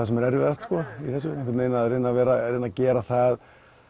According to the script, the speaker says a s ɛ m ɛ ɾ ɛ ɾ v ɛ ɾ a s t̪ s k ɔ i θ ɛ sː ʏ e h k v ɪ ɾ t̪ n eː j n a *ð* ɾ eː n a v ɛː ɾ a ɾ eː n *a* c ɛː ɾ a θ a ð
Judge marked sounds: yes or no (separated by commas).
yes, yes